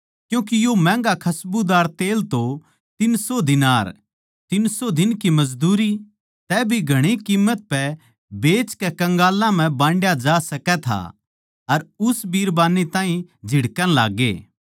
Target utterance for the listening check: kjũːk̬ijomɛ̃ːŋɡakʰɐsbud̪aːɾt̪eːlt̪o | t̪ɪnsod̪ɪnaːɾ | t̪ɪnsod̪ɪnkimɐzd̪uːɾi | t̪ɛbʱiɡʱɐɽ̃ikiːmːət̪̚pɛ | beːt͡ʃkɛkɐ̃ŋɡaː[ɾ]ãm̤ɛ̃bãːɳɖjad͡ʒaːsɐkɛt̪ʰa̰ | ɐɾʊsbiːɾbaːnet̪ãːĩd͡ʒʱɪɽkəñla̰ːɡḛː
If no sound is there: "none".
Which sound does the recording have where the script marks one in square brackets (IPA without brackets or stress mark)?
l